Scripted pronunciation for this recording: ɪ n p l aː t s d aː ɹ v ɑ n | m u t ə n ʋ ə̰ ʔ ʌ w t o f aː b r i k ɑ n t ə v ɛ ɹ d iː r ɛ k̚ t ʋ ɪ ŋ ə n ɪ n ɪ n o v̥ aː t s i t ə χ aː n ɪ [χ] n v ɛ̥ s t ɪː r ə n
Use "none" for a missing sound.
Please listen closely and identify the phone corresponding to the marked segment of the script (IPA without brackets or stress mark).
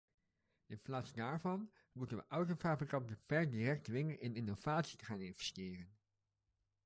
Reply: none